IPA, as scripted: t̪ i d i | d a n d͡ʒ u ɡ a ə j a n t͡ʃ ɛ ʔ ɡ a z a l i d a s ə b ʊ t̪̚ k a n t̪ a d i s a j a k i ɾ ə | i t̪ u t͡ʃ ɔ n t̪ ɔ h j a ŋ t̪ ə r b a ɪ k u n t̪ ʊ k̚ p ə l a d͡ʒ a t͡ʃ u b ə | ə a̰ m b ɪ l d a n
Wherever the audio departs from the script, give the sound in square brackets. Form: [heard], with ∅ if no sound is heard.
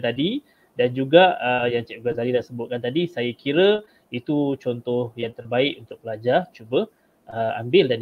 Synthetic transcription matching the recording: t̪ [a] d i | d a n d͡ʒ u ɡ a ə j a [ŋ] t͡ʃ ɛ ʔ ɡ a z a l i d a s ə b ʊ t̪̚ k a n t̪ a d i s a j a k i ɾ ə | i t̪ u t͡ʃ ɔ n t̪ ɔ h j a ŋ t̪ ə r b a ɪ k u n t̪ ʊ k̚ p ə l a d͡ʒ a t͡ʃ u b ə | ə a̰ m b ɪ l d a n